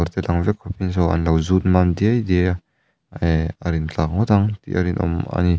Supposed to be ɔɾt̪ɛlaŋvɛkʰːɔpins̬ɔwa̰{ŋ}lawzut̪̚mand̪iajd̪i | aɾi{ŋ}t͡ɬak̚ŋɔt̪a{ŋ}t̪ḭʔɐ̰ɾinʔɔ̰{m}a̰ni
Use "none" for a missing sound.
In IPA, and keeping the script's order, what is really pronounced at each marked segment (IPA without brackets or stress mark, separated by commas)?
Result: n, n, ŋ, m